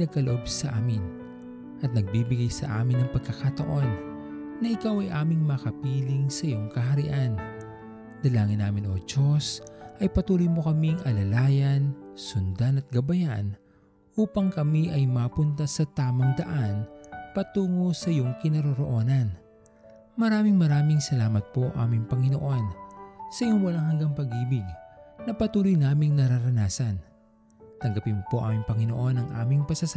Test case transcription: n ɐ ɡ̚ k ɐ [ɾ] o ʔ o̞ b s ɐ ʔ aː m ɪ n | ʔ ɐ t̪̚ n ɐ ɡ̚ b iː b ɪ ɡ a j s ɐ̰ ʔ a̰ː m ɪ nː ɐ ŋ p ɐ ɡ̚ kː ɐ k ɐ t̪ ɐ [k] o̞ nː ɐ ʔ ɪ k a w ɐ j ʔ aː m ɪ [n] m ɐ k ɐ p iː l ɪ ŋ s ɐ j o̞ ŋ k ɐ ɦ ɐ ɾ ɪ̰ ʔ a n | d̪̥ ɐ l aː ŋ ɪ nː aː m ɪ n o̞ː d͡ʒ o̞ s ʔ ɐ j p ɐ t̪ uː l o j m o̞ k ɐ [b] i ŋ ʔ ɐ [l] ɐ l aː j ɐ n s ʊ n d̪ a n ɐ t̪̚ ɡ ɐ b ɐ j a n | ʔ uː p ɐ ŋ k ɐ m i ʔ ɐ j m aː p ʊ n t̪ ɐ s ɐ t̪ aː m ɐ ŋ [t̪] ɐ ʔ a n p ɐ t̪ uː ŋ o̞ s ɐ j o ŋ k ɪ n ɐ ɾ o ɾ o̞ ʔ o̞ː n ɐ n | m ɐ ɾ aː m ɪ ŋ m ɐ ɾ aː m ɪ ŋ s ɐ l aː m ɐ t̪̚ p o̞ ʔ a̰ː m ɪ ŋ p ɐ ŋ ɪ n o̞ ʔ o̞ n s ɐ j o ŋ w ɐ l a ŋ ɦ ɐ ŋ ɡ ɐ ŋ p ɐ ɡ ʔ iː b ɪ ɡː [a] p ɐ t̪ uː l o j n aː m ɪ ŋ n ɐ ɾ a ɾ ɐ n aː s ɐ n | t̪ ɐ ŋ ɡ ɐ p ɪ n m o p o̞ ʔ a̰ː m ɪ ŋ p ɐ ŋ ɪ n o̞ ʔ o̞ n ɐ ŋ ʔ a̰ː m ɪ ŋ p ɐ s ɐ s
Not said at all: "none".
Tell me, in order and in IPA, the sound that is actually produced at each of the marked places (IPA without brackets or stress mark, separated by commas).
l, ʔ, ŋ, m, l, d̪, ɐ